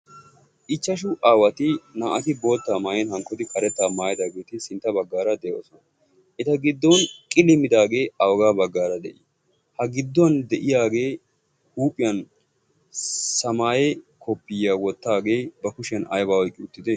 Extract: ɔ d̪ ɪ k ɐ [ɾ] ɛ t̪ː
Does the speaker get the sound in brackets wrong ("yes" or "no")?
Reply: no